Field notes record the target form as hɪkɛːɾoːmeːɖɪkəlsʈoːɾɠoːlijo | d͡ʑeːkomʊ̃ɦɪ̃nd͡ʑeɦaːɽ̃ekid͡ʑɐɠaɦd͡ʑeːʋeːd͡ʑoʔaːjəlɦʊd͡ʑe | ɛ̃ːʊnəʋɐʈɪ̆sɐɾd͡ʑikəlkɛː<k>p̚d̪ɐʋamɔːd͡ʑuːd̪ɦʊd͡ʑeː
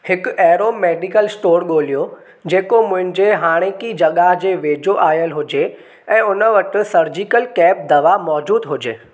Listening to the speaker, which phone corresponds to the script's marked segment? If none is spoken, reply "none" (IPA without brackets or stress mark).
none